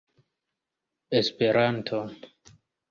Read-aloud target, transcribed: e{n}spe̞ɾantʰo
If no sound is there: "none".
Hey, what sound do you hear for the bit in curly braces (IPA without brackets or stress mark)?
none